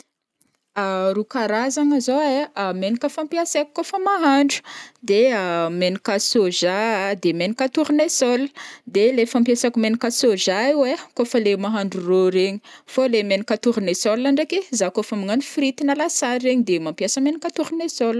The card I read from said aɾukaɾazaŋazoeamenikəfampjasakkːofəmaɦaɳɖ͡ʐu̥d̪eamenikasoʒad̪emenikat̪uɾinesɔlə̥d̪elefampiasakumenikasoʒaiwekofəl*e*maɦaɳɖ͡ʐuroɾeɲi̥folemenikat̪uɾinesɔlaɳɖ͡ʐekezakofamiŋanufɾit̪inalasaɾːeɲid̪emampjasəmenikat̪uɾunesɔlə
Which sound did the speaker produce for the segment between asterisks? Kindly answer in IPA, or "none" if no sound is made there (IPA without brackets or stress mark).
e